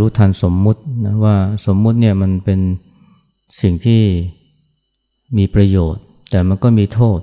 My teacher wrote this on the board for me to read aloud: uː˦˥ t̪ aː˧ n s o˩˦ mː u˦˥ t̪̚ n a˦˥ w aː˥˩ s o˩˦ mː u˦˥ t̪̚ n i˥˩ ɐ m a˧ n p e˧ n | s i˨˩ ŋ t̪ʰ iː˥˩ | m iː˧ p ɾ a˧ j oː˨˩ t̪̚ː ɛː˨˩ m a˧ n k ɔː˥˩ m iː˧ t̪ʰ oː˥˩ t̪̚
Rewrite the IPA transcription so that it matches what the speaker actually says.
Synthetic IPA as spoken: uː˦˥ t̪ʰ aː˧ n s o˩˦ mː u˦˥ t̪̚ n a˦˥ w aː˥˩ s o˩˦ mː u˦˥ t̪̚ n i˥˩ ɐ m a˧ n p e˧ n | s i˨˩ ŋ t̪ʰ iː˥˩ | m iː˧ p ɾ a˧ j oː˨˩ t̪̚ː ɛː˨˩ m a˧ n k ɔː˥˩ m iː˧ t̪ʰ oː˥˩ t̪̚